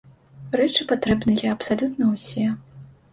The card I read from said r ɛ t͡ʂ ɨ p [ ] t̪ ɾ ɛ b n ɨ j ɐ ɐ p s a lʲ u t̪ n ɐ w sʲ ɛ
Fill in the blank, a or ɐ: a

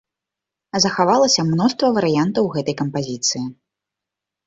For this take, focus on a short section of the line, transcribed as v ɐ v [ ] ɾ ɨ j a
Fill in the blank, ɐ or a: ɐ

